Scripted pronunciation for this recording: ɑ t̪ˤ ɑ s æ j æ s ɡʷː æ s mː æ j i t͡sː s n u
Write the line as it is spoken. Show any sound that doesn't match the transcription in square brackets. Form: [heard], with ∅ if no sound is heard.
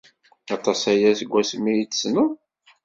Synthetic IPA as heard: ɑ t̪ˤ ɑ s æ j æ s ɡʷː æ s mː [i] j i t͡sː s n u